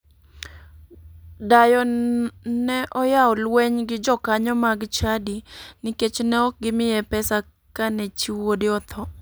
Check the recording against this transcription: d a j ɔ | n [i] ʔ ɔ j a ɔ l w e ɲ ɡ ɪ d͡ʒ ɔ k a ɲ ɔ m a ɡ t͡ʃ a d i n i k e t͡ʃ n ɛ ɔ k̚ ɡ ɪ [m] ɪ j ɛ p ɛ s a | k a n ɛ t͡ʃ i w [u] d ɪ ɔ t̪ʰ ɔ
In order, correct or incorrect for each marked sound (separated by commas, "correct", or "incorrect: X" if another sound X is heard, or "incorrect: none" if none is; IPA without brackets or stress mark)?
incorrect: ɛ, correct, incorrect: o